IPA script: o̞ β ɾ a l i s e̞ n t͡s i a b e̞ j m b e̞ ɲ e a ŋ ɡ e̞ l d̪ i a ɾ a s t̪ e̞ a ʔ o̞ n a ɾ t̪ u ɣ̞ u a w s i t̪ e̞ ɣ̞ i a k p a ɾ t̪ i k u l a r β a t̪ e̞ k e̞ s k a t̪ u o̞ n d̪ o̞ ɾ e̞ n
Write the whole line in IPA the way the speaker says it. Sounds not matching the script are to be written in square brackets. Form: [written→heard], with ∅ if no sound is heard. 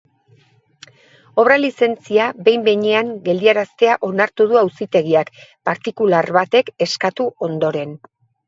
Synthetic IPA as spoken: o̞ β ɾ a l i s e̞ n t͡s i a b e̞ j m b e̞ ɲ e a ŋ ɡ e̞ l d̪ i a ɾ a s t̪ e̞ a ʔ o̞ n a ɾ t̪ u [ɣ̞→ð̞] u a w s i t̪ e̞ ɣ̞ i a k p a ɾ t̪ i k u l a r β a t̪ e̞ k e̞ s k a t̪ u o̞ n d̪ o̞ ɾ e̞ n